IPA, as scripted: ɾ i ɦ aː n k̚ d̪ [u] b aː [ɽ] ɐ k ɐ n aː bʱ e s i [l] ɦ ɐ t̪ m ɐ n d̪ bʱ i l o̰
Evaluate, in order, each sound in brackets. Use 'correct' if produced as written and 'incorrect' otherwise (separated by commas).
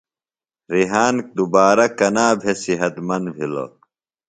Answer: correct, incorrect, incorrect